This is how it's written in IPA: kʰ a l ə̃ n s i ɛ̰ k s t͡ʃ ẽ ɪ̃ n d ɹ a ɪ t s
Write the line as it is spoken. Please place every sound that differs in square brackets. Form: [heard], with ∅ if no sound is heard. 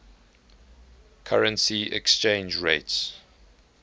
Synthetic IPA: kʰ a [ɹ] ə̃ n s i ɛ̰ k s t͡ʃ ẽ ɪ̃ n [d͡ʒ] ɹ [e] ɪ t s